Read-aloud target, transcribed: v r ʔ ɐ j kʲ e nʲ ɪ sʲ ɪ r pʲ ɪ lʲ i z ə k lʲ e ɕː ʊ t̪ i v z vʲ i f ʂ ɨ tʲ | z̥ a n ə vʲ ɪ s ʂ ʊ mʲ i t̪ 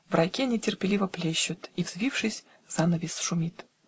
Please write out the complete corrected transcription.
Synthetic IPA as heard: v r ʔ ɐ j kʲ e nʲ ɪ tʲ ɪ r pʲ ɪ lʲ i v ə p lʲ e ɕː ʊ t̪ i v z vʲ i f ʂ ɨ sʲ | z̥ a n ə vʲ ɪ s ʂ ʊ mʲ i t̪